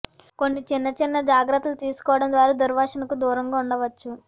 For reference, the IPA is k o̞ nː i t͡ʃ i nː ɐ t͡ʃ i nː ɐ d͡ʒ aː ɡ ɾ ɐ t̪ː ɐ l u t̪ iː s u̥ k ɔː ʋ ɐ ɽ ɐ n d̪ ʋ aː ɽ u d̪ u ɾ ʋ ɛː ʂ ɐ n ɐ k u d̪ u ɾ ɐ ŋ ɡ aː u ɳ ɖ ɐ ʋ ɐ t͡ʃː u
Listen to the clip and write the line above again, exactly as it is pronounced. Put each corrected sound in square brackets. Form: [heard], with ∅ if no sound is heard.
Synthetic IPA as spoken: k o̞ nː i t͡ʃ i nː ɐ t͡ʃ i nː ɐ d͡ʒ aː ɡ ɾ ɐ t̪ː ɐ l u t̪ iː s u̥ k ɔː ʋ ɐ ɽ ɐ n d̪ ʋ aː [ɾ] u d̪ u ɾ ʋ [aː] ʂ ɐ n ɐ k u d̪ [uː] ɾ ɐ ŋ ɡ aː u ɳ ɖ ɐ ʋ ɐ t͡ʃː u